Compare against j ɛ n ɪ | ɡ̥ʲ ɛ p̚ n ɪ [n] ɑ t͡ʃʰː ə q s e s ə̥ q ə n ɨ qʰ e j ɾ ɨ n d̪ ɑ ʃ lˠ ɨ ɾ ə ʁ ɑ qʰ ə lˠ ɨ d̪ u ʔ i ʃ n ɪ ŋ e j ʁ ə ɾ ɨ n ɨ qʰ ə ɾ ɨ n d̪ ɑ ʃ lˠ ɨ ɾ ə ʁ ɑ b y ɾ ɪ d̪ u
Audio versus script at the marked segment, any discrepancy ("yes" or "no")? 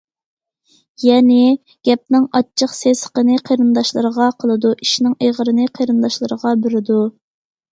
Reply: yes